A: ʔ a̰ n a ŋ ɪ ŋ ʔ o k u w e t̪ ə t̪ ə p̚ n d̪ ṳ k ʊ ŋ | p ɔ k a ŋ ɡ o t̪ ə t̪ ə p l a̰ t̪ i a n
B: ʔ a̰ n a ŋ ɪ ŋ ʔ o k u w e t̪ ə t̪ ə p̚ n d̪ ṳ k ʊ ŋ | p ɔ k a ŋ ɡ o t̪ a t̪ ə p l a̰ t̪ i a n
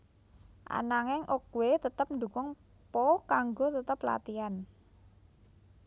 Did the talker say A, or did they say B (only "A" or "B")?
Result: A